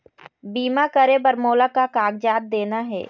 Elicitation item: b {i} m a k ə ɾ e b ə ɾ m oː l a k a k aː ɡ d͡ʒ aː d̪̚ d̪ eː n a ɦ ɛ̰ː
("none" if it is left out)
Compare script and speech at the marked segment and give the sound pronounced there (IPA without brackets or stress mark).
iː